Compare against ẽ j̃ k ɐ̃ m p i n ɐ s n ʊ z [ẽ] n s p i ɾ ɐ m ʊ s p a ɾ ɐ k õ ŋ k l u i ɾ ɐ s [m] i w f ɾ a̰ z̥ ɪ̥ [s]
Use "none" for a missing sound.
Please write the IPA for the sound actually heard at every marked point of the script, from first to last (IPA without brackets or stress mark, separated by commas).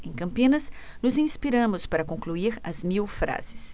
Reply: ĩ, m, s